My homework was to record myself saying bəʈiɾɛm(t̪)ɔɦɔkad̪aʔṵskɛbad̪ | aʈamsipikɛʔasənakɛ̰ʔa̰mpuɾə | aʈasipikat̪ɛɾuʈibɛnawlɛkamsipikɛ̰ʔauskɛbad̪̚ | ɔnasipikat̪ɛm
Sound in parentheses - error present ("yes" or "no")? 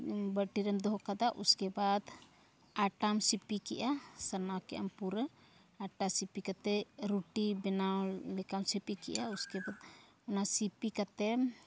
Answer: yes